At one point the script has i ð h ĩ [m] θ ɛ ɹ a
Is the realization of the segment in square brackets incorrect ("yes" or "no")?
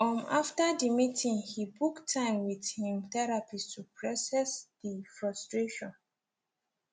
no